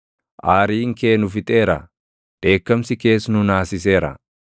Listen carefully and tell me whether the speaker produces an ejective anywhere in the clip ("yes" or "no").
yes